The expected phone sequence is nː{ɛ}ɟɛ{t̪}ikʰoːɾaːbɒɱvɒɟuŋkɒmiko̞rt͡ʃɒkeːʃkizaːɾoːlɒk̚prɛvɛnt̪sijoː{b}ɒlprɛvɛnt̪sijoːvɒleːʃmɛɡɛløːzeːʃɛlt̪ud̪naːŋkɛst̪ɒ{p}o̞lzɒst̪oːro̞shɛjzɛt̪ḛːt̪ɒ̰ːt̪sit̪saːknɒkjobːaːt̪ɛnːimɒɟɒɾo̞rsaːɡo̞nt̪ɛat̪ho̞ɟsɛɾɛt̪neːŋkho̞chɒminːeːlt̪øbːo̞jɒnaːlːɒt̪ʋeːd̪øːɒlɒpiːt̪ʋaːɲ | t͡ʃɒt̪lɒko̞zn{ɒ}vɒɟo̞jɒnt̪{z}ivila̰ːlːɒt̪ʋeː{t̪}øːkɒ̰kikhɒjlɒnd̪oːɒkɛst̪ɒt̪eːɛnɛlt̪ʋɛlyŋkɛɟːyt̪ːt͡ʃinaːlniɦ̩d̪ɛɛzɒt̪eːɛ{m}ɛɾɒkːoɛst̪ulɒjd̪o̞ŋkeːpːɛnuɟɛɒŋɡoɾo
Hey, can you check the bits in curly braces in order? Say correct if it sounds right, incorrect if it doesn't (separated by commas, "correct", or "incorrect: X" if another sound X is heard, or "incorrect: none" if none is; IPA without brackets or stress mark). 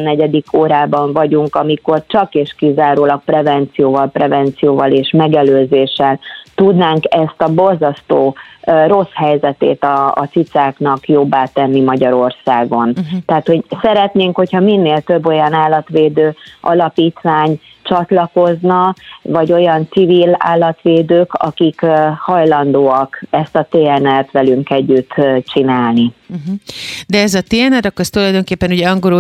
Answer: correct, incorrect: d̪, incorrect: v, incorrect: b, correct, incorrect: s, incorrect: d̪, incorrect: n